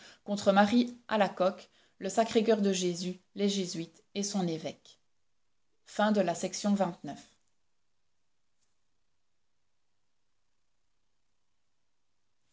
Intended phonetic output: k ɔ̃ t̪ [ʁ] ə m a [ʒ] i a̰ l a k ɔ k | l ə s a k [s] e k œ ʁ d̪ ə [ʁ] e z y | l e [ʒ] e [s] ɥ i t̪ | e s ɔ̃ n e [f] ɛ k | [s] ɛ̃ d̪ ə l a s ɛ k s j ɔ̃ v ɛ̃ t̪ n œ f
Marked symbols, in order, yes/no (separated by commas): no, no, no, no, yes, no, no, no